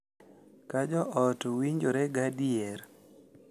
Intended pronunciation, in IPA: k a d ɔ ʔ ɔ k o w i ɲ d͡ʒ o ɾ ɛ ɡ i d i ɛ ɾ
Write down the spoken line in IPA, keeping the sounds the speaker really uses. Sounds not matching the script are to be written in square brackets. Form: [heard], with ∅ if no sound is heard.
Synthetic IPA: k a [d͡ʒ] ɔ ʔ ɔ [t] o w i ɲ d͡ʒ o ɾ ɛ ɡ [a] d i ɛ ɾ

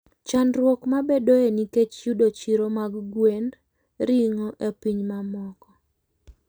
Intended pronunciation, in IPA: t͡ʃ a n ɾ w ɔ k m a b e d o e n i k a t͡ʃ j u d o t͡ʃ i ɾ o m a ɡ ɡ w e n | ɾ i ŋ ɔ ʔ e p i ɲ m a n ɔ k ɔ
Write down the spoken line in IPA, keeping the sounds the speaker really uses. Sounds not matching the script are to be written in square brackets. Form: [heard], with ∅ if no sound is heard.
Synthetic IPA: t͡ʃ a n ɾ w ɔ k m a b e d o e n i k [e] t͡ʃ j u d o t͡ʃ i ɾ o m a ɡ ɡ w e n | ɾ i ŋ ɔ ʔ e p i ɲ m a [m] ɔ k ɔ

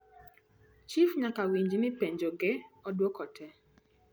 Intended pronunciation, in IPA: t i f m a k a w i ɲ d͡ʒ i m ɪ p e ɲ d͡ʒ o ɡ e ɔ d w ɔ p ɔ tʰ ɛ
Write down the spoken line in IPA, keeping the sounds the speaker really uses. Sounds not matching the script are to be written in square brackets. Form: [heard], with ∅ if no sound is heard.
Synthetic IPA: [t͡ʃ] i f [ɲ] a k a w i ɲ d͡ʒ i m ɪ p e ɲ d͡ʒ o ɡ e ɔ d w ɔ [k] ɔ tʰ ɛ

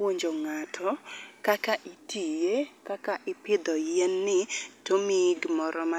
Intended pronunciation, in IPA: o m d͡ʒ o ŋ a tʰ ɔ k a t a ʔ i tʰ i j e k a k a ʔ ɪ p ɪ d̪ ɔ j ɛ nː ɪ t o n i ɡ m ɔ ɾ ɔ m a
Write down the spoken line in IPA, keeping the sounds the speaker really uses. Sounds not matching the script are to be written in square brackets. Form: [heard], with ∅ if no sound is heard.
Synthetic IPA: o [ɲ] d͡ʒ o ŋ a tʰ ɔ k a [k] a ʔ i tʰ i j e k a k a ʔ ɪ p ɪ d̪ ɔ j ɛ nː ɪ t o [m] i ɡ m ɔ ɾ ɔ m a

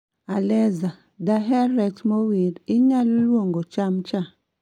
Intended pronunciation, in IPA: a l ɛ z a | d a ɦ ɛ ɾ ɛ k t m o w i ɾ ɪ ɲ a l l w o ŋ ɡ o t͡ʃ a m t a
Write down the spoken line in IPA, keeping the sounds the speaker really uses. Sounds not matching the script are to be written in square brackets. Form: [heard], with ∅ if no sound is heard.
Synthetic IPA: a l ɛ z a | d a ɦ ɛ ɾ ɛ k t m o w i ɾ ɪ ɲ a l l w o ŋ ɡ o t͡ʃ a m [t͡ʃ] a

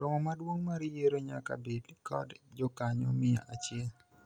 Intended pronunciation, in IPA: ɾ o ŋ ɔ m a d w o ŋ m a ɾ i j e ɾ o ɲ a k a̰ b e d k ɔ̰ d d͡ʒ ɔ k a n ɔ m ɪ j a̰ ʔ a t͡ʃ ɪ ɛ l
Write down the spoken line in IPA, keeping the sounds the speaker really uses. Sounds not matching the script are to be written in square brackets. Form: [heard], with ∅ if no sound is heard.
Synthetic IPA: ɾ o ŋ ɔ m a d w o ŋ m a ɾ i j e ɾ o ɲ a k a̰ b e d k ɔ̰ d d͡ʒ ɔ k a [ɲ] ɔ m ɪ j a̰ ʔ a t͡ʃ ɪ ɛ l

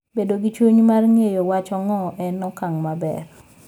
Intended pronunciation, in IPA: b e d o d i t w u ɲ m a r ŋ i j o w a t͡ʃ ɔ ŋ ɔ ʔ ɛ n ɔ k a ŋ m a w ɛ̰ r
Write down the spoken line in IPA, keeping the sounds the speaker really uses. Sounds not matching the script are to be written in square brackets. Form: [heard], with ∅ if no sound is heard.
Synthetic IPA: b e d o [ɡ] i [t͡ʃ] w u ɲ m a r ŋ [e] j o w a t͡ʃ ɔ ŋ ɔ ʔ ɛ n ɔ k a ŋ m a [b] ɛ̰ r

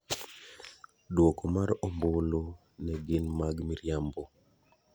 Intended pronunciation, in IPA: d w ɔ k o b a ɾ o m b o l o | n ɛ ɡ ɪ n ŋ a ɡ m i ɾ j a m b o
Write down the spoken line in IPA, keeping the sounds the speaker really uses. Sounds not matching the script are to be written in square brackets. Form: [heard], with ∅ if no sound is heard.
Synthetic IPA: d w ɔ k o [m] a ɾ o m b o l o | n ɛ ɡ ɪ n [m] a ɡ m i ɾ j a m b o

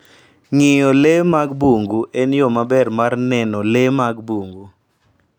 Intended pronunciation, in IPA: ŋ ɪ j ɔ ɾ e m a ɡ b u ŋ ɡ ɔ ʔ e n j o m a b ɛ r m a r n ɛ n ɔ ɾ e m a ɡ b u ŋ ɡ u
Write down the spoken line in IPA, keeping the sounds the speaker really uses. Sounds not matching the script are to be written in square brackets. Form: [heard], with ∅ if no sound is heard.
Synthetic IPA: ŋ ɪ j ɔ [l] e m a ɡ b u ŋ ɡ [u] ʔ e n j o m a b ɛ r m a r n ɛ n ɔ [l] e m a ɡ b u ŋ ɡ u

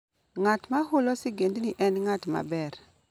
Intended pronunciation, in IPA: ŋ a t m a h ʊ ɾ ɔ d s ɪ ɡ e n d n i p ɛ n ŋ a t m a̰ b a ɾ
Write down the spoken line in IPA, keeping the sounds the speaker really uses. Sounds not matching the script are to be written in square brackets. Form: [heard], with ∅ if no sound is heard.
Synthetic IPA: ŋ a t m a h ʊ [l] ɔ [∅] s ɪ ɡ e n d n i [ʔ] ɛ n ŋ a t m a̰ b [ɛ] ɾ

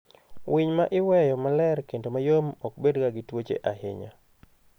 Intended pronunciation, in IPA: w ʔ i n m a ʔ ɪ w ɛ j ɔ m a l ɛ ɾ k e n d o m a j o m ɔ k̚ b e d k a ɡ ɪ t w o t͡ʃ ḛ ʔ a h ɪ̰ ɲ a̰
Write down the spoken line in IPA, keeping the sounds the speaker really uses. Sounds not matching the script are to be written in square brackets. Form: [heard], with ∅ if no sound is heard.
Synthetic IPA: w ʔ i [ɲ] m a ʔ ɪ w ɛ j ɔ m a l ɛ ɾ k e n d o m a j o m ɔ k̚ b e d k a ɡ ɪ t w o t͡ʃ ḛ ʔ a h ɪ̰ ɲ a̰

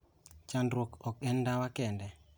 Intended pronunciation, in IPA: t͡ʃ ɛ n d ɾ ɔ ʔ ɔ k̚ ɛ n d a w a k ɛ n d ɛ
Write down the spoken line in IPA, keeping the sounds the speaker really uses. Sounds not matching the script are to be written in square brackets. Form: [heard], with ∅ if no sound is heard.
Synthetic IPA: t͡ʃ [a] n d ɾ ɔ [k] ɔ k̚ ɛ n d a w a k ɛ n d ɛ

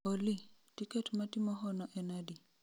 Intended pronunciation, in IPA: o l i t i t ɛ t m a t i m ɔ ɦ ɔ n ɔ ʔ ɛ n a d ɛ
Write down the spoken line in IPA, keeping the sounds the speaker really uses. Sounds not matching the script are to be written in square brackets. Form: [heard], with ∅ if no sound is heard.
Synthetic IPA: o l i t i [k] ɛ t m a t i m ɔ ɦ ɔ n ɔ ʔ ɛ n a d [i]

